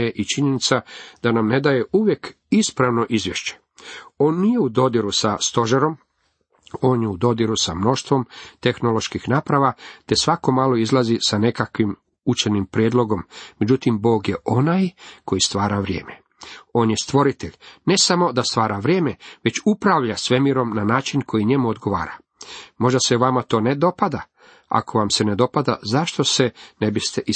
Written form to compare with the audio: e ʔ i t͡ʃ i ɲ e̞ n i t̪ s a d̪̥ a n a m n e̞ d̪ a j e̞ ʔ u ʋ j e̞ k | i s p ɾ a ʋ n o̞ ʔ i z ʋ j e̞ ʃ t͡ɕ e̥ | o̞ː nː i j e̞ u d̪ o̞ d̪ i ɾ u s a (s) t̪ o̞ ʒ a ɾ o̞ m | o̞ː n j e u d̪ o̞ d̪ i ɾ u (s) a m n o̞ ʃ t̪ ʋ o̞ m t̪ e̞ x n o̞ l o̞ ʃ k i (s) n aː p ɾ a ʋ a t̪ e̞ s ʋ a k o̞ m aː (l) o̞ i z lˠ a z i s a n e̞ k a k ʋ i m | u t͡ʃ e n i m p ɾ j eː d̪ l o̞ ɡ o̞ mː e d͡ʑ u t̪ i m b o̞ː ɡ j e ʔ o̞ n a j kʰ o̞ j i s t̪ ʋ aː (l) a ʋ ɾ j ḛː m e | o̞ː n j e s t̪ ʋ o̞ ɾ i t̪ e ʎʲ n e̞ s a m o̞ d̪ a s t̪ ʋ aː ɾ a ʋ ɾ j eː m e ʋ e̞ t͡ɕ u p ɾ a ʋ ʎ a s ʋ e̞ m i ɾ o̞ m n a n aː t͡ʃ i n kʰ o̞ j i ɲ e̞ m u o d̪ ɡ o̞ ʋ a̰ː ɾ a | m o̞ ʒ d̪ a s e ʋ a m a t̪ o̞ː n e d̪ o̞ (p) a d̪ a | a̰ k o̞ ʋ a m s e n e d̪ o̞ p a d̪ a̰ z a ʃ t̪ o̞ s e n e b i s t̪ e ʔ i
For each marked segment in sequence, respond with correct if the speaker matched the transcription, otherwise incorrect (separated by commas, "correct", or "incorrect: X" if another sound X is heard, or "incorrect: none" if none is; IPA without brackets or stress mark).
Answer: correct, correct, incorrect: x, correct, incorrect: ɾ, correct